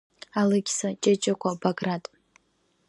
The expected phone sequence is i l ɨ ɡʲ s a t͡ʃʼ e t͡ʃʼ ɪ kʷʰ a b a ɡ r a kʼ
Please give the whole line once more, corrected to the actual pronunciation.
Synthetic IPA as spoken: a l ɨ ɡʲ s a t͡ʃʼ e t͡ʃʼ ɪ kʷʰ a b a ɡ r a tʼ